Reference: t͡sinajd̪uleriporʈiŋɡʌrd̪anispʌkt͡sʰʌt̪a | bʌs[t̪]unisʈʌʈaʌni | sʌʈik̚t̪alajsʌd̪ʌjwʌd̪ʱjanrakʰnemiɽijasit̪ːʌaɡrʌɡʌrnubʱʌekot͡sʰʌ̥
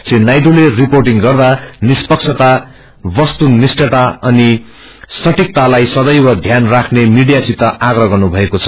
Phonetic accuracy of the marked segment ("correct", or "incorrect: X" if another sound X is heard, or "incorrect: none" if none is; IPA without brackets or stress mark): correct